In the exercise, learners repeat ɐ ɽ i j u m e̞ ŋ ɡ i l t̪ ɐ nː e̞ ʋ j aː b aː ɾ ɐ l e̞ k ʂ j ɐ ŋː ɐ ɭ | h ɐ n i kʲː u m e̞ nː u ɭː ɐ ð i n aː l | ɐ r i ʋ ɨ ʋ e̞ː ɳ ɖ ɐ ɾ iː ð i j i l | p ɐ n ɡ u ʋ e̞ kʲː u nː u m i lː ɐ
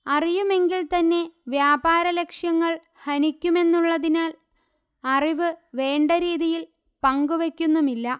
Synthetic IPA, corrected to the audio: ɐ r i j u m e̞ ŋ ɡ i l t̪ ɐ nː e̞ ʋ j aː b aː ɾ ɐ l e̞ k ʂ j ɐ ŋː ɐ ɭ | h ɐ n i kʲː u m e̞ nː u ɭː ɐ ð i n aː l | ɐ r i ʋ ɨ ʋ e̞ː ɳ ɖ ɐ ɾ iː ð i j i l | p ɐ ŋ ɡ u ʋ e̞ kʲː u nː u m i lː ɐ